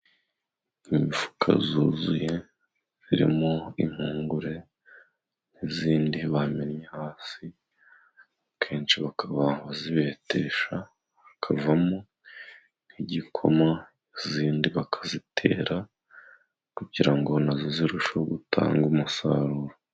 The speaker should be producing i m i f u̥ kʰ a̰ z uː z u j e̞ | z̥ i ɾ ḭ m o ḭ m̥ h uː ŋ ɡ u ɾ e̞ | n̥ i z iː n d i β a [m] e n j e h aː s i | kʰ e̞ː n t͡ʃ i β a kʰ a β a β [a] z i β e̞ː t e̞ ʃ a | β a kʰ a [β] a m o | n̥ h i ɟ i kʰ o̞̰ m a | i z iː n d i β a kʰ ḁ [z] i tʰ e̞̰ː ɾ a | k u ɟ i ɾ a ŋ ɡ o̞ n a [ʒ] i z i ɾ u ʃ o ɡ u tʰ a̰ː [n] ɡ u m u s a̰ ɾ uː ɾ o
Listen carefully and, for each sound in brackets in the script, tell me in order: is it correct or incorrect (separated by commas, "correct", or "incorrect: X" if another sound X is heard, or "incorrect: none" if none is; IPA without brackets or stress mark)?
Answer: correct, correct, incorrect: v, correct, incorrect: z, incorrect: ŋ